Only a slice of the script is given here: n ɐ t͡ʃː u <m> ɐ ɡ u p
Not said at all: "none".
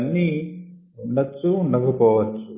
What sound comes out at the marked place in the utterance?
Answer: n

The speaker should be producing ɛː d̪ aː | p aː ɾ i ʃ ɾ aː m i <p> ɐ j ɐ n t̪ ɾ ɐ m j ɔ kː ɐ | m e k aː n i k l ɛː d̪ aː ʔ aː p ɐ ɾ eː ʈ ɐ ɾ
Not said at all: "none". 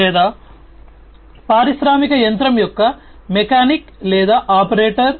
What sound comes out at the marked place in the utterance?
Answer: k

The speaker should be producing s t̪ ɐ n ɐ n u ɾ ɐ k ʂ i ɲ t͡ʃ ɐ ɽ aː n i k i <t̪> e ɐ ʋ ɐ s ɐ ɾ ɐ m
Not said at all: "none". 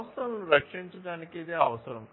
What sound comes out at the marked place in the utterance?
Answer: d̪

